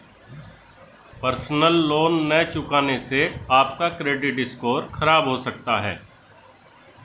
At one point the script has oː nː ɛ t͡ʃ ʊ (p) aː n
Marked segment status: incorrect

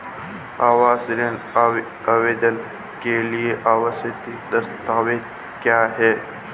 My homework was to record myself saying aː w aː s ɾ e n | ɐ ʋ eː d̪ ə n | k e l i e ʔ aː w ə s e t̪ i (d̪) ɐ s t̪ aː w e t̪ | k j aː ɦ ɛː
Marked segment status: correct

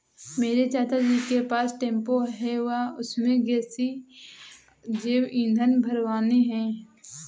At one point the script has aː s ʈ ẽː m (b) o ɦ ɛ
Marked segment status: incorrect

